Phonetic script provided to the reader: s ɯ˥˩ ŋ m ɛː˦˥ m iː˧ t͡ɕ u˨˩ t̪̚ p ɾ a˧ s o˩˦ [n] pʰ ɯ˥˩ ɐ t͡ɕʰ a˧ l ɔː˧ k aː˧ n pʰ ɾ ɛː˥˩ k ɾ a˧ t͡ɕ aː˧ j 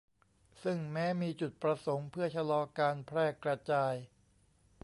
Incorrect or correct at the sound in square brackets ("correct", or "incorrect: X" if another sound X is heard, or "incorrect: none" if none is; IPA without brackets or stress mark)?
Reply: incorrect: ŋ